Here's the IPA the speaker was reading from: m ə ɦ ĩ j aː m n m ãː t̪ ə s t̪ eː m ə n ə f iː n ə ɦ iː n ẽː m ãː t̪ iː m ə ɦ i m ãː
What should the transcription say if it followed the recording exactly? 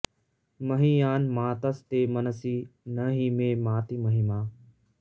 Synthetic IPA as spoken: m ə ɦ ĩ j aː n m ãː t̪ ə s t̪ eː m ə n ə s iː n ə ɦ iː m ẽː m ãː t̪ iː m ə ɦ i m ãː

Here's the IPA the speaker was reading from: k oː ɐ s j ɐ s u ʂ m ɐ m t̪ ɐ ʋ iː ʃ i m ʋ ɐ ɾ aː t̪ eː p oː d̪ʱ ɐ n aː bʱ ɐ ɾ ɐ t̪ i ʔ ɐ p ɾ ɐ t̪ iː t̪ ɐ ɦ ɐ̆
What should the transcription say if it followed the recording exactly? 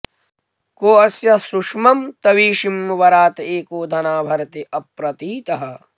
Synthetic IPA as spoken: k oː ɐ s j ɐ s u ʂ m ɐ m t̪ ɐ ʋ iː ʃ i m ʋ ɐ ɾ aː t̪ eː k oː d̪ʱ ɐ n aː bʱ ɐ ɾ ɐ t̪ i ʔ ɐ p ɾ ɐ t̪ iː t̪ ɐ ɦ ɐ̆

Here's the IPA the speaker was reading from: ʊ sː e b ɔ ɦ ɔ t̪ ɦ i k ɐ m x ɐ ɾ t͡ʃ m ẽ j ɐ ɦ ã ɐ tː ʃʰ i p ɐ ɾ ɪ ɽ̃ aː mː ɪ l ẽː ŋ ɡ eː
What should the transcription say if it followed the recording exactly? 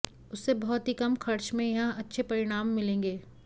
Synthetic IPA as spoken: ʊ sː e b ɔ ɦ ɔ t̪ ɦ i k ɐ m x ɐ ɾ t͡ʃ m ẽ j ɐ ɦ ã ɐ tː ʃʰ e p ɐ ɾ ɪ ɽ̃ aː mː ɪ l ẽː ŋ ɡ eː

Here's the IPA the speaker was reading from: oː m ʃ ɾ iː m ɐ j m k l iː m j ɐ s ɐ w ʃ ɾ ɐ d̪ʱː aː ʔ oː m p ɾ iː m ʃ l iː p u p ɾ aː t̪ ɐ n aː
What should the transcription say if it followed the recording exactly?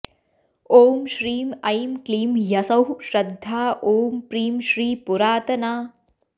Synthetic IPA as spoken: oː m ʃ ɾ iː m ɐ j m k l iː m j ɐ s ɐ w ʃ ɾ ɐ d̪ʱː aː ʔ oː m p ɾ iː m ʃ ɾ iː p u ɾ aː t̪ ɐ n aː

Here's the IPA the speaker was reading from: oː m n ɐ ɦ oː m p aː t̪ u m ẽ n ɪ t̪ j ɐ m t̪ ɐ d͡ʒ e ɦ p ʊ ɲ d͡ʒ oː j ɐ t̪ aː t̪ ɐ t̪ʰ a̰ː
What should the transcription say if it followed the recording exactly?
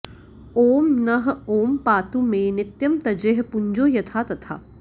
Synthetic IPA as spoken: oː m n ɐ ɦ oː m p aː t̪ u m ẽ n ɪ t̪ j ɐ m t̪ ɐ d͡ʒ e ɦ p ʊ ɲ d͡ʒ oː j ɐ t̪ʰ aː t̪ ɐ t̪ʰ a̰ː

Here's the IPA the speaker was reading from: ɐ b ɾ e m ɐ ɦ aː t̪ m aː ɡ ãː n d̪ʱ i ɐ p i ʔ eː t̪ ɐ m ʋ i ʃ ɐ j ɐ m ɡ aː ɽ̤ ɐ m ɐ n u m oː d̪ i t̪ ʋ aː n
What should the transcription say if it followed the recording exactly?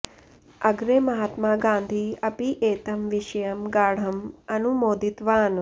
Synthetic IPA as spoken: ɐ ɡ ɾ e m ɐ ɦ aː t̪ m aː ɡ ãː n d̪ʱ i ɐ p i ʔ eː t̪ ɐ m ʋ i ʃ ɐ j ɐ m ɡ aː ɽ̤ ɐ m ɐ n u m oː d̪ i t̪ ʋ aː n

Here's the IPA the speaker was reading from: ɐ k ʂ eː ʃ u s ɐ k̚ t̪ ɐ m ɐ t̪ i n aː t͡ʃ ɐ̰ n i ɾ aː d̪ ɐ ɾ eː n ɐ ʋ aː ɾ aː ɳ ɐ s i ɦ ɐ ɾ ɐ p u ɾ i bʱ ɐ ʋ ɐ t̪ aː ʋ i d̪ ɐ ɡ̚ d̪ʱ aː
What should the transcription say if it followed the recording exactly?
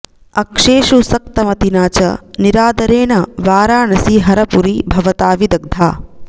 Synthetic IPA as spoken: ɐ k ʂ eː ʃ u s ɐ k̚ t̪ ɐ m ɐ t̪ i n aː t͡ʃ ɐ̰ n i ɾ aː d̪ ɐ ɾ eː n ɐ ʋ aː ɾ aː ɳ ɐ s i ɦ ɐ ɾ ɐ p u ɾ i bʱ ɐ ʋ ɐ t̪ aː ʋ i d̪ ɐ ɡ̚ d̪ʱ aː

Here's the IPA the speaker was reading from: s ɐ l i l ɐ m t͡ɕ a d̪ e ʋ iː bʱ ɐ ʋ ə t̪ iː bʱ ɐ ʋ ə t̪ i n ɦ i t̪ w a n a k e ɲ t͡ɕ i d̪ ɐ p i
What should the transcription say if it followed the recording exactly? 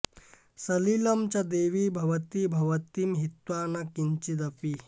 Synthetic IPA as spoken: s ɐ l i l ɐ m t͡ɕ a d̪ e ʋ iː bʱ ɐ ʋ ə t̪ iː bʱ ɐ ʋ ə t̪ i m ɦ i t̪ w a n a k i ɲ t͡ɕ i d̪ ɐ p i

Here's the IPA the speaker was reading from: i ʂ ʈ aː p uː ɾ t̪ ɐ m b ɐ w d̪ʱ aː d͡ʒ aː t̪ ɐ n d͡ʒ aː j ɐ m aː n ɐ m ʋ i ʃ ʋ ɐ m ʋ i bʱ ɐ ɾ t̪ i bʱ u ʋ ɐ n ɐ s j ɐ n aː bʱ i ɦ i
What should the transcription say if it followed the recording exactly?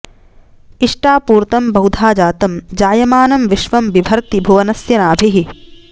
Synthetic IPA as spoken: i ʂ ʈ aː p uː ɾ t̪ ɐ m b ɐ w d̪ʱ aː d͡ʒ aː t̪ ɐ m d͡ʒ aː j ɐ m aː n ɐ m ʋ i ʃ ʋ ɐ m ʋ i bʱ ɐ ɾ t̪ i bʱ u ʋ ɐ n ɐ s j ɐ n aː bʱ i ɦ i

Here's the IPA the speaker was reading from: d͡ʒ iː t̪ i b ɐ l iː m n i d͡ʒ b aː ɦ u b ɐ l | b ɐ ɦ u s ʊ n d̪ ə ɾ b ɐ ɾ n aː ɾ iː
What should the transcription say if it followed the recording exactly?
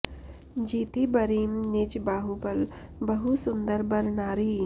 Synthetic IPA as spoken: d͡ʒ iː t̪ i b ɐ ɾ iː m n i d͡ʒ b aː ɦ u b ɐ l | b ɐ ɦ u s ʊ n d̪ ə ɾ b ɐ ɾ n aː ɾ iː

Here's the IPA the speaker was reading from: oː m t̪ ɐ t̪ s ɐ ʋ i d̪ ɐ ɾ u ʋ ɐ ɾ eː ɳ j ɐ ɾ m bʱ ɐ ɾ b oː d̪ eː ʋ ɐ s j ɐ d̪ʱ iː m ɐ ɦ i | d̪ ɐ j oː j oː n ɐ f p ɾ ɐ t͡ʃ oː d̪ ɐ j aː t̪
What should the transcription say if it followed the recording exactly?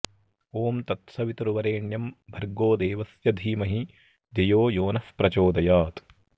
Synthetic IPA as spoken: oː m t̪ ɐ t̪ s ɐ ʋ i t̪ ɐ ɾ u ʋ ɐ ɾ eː ɳ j ɐ m bʱ ɐ ɾ ɡ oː d̪ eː ʋ ɐ s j ɐ d̪ʱ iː m ɐ ɦ i | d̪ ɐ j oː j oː n ɐ f p ɾ ɐ t͡ʃ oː d̪ ɐ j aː t̪

